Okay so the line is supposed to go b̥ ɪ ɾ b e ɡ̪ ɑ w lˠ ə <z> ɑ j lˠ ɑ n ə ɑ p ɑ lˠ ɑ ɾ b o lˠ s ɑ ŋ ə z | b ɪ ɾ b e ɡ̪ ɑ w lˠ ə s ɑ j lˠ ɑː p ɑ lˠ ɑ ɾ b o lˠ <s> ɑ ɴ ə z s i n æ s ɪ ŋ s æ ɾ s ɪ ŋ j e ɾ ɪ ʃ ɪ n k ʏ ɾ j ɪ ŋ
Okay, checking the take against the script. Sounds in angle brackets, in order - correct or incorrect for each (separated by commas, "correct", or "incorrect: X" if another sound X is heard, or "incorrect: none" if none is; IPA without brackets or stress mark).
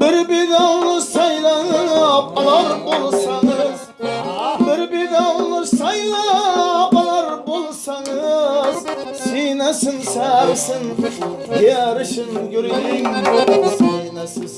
incorrect: s, correct